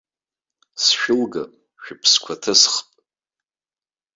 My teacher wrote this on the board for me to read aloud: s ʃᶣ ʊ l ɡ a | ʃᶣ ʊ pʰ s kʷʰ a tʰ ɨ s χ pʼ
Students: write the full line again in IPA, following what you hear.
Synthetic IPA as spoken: s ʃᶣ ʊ l ɡ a | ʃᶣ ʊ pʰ s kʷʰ a tʰ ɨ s χ pʼ